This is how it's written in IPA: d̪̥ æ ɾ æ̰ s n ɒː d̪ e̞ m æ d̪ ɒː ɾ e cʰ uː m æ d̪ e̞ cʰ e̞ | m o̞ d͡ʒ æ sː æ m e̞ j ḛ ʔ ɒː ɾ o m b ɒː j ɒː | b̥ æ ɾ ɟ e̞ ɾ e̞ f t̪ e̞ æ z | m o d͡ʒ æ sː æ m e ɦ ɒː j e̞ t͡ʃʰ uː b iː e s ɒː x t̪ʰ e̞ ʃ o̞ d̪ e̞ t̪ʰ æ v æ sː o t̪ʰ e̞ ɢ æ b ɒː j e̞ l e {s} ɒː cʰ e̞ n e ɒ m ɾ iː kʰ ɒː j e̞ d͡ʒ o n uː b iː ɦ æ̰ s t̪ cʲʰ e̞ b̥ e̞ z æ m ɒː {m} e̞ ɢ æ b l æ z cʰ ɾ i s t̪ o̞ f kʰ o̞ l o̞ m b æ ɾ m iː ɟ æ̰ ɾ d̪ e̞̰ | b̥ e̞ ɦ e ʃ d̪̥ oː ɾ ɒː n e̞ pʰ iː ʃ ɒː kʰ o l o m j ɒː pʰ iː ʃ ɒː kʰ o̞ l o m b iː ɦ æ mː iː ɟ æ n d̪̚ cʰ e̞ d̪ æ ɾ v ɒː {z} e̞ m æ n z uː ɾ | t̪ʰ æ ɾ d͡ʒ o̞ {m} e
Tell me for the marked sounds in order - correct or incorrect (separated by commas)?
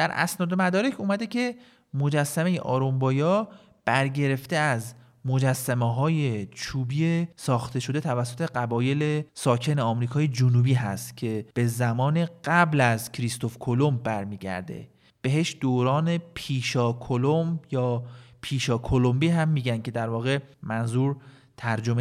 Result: correct, incorrect, incorrect, correct